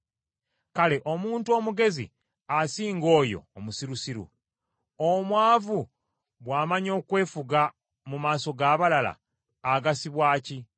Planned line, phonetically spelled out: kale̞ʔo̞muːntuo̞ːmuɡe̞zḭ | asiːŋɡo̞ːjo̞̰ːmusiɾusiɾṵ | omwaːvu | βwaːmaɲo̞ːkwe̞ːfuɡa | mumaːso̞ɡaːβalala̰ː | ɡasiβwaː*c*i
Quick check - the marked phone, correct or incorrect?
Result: correct